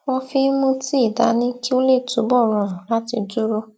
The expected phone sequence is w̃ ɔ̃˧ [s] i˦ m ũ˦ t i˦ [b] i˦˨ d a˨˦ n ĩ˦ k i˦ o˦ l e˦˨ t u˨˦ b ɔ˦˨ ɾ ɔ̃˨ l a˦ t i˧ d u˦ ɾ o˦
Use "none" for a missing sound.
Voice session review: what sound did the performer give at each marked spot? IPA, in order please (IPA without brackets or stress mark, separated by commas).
f, none